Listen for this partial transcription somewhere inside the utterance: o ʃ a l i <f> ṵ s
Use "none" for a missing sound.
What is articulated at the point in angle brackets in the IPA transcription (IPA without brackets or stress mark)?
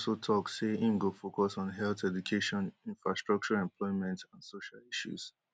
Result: ʃ